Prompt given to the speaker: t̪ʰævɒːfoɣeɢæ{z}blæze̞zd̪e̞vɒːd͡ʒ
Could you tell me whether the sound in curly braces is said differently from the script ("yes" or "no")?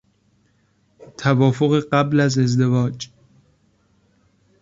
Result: yes